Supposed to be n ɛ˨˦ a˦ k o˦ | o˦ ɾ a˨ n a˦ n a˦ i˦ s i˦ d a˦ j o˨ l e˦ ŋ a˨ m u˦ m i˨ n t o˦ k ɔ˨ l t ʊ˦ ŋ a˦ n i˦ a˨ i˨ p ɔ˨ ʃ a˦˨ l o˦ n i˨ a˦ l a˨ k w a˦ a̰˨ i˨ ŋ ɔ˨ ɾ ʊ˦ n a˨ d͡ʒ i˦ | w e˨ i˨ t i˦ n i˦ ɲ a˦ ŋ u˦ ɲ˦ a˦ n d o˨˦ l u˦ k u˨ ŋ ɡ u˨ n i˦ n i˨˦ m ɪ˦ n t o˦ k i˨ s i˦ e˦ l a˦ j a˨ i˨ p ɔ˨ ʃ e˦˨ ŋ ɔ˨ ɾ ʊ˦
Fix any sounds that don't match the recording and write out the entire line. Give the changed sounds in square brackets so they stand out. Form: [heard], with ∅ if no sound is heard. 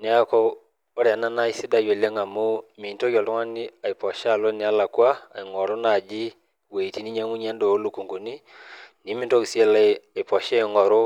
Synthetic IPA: n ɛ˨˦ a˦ k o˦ | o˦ ɾ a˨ n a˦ n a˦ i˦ s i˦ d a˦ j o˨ l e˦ ŋ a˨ m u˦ m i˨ n t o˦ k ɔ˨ l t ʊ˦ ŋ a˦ n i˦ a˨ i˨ p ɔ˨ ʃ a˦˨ l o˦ n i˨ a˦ l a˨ k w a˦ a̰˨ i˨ ŋ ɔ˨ ɾ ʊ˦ n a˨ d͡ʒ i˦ | w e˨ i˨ t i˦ n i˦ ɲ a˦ ŋ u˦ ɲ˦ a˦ n d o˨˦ l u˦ k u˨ ŋ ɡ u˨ n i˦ n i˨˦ m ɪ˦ n t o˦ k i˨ s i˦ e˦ l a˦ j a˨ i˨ p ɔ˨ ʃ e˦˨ ŋ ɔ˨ ɾ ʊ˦